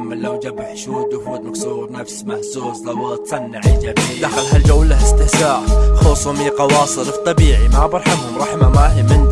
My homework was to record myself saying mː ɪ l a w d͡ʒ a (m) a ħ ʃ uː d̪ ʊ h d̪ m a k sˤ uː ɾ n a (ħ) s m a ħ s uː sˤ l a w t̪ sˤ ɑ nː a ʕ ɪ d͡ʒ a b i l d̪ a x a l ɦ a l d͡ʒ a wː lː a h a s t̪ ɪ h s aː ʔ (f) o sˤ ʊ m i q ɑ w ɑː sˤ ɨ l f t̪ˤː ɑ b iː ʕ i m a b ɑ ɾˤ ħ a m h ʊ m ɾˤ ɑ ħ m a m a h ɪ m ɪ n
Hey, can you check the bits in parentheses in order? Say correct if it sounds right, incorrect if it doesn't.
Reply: incorrect, incorrect, incorrect

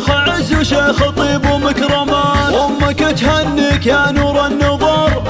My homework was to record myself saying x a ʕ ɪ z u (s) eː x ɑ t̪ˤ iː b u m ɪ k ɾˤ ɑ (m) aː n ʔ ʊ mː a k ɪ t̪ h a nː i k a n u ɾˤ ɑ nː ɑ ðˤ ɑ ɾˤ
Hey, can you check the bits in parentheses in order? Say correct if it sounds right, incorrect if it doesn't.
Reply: incorrect, correct

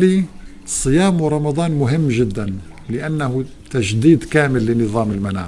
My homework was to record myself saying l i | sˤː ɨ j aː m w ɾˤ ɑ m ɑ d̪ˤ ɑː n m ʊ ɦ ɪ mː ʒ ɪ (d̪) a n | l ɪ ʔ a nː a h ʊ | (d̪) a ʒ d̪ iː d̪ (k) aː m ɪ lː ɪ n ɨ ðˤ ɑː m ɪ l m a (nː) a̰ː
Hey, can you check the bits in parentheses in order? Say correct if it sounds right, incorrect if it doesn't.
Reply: incorrect, incorrect, correct, incorrect

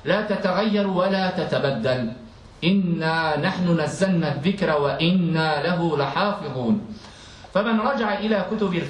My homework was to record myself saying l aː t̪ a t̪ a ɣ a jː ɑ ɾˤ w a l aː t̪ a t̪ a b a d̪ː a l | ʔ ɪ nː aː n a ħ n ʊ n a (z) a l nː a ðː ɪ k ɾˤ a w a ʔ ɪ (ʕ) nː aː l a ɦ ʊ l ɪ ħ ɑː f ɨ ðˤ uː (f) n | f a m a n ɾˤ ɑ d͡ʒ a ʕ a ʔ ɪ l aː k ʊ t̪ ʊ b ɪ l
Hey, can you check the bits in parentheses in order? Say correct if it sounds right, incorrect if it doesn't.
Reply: incorrect, incorrect, incorrect

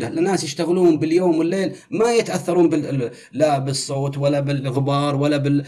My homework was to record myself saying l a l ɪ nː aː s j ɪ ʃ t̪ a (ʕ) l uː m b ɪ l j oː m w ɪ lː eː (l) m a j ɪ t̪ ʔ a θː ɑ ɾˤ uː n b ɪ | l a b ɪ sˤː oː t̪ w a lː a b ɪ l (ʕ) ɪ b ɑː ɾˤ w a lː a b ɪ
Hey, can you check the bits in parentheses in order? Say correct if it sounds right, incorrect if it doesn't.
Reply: incorrect, correct, incorrect

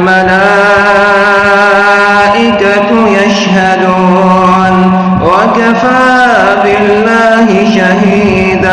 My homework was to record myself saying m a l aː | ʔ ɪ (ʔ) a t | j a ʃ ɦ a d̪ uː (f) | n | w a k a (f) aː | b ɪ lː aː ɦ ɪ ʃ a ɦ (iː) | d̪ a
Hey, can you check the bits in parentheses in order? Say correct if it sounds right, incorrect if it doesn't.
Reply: incorrect, incorrect, correct, correct

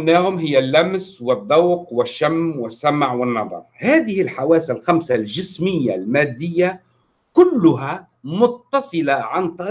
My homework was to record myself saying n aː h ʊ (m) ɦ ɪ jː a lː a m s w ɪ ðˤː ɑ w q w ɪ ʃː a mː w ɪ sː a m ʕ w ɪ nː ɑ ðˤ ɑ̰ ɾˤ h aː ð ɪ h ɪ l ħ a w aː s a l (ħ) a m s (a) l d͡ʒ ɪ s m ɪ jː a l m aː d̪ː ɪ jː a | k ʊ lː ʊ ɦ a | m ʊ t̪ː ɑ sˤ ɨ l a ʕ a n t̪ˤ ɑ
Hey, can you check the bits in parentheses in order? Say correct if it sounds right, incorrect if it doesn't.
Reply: correct, incorrect, correct

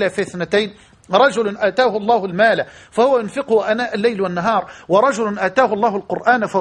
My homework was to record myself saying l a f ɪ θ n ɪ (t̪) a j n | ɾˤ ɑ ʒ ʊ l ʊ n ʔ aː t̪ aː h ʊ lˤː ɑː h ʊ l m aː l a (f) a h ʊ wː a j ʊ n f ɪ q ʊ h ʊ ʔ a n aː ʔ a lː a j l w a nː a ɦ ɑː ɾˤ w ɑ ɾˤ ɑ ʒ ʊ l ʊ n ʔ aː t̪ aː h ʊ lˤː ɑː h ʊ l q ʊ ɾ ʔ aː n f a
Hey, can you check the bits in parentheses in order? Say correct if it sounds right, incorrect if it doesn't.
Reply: correct, correct

